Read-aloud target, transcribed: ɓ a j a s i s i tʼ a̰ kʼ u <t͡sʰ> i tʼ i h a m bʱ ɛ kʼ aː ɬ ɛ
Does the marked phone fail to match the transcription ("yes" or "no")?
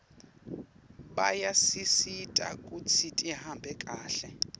no